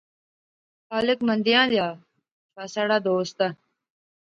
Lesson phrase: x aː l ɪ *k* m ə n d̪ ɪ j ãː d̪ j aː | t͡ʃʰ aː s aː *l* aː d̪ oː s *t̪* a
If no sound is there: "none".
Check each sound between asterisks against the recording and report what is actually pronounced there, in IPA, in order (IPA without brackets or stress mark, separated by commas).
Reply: k, ɽ, t̪